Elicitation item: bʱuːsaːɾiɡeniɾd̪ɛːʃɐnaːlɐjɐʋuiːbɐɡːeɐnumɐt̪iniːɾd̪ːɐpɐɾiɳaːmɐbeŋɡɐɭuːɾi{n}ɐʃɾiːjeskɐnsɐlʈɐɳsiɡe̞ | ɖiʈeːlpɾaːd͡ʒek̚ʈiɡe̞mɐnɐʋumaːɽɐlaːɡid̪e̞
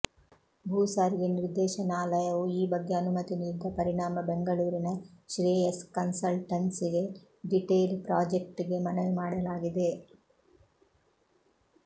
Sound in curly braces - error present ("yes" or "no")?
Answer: no